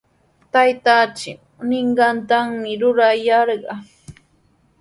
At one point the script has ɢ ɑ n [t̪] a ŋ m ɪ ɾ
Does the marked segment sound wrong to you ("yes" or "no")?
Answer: no